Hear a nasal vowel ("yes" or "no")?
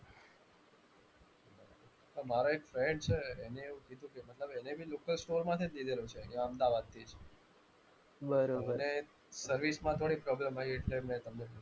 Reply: yes